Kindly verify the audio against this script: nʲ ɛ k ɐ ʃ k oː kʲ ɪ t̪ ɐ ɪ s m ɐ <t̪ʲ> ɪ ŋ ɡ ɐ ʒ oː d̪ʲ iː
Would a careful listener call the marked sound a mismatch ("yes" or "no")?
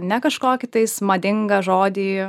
yes